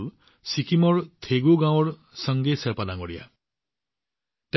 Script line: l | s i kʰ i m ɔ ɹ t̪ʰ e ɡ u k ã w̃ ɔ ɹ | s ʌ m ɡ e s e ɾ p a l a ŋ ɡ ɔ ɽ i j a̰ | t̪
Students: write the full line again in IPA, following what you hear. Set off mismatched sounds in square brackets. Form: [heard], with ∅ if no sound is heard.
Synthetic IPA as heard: l | s i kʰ i m ɔ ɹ t̪ʰ e ɡ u [ɡ] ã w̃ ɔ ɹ | s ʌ [ŋ] ɡ e s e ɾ p a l a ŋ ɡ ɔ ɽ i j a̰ | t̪